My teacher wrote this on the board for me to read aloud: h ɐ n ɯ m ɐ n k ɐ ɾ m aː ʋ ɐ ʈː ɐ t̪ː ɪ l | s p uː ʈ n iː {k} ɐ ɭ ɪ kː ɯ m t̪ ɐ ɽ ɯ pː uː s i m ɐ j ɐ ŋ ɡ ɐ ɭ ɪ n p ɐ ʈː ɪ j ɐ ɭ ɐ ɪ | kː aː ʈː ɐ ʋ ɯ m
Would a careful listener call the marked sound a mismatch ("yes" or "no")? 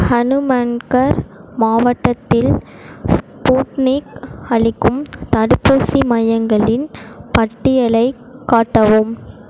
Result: no